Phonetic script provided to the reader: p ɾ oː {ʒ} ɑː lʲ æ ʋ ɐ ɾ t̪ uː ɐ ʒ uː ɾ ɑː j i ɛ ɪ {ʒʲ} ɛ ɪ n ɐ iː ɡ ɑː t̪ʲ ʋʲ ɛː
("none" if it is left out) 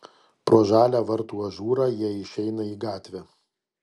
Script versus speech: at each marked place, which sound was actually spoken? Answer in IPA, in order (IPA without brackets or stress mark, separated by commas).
ʒ, ʃʲ